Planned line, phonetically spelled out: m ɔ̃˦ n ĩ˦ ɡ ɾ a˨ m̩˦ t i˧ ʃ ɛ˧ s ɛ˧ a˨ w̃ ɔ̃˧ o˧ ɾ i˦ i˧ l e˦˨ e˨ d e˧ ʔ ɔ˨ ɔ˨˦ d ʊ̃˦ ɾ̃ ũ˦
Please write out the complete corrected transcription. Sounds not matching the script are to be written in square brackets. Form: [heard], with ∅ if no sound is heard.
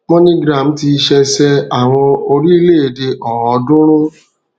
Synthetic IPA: m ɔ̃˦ n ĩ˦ ɡ ɾ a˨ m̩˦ t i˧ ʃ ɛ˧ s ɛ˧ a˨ w̃ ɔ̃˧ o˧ ɾ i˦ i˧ l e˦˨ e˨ d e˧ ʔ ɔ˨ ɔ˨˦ d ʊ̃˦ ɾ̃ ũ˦